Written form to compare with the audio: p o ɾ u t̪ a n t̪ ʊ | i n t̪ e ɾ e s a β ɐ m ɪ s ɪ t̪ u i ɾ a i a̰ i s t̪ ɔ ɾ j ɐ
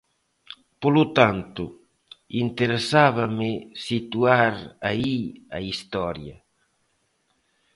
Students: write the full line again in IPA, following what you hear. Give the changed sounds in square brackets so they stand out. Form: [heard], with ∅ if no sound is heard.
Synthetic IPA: p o [l] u t̪ a n t̪ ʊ | i n t̪ e ɾ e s a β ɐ m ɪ s [i] t̪ u [a] ɾ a i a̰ i s t̪ ɔ ɾ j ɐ